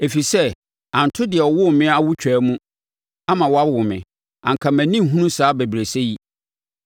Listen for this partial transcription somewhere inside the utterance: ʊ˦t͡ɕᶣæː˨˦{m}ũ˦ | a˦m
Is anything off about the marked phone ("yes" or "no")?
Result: no